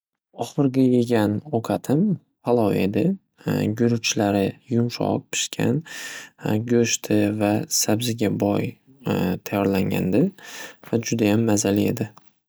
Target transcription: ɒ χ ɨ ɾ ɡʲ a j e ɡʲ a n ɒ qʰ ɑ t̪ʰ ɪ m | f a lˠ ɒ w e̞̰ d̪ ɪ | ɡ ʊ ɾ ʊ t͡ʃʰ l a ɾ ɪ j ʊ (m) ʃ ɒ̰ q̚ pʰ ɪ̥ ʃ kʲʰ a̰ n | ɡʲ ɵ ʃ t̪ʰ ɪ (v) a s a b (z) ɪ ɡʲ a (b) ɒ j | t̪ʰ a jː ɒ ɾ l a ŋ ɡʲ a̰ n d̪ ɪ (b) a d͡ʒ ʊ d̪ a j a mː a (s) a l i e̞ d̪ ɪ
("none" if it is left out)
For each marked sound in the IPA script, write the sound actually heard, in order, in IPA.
m, v, z, b, v, z

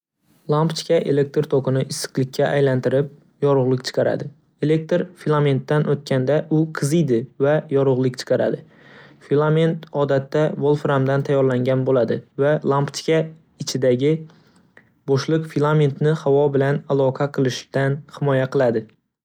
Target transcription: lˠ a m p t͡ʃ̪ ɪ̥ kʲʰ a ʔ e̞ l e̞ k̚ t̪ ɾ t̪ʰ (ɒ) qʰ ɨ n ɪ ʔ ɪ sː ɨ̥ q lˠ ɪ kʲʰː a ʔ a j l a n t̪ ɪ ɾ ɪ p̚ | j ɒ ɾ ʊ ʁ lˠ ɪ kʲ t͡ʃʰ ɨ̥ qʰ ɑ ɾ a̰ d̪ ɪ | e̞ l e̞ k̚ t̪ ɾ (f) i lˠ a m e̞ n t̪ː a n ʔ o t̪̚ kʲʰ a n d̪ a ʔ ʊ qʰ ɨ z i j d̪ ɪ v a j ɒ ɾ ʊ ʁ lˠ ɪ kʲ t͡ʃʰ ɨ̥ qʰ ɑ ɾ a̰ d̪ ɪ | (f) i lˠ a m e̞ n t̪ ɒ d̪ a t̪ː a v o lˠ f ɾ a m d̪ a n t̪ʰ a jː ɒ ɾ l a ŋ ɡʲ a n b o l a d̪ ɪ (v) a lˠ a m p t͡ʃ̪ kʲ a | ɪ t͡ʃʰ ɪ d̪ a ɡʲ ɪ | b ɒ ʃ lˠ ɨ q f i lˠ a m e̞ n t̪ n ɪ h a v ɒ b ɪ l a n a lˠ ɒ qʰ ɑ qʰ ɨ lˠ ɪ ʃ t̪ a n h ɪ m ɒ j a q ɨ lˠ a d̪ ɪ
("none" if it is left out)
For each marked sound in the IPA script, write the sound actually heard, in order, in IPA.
o, f, f, v

